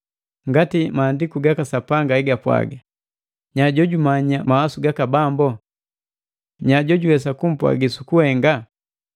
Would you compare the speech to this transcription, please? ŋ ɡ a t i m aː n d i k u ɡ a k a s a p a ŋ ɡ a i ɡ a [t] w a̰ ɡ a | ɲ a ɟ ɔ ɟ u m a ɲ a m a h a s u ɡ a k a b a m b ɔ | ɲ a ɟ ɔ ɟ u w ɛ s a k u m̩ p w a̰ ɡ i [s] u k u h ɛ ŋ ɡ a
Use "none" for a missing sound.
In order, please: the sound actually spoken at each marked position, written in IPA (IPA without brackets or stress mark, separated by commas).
p, s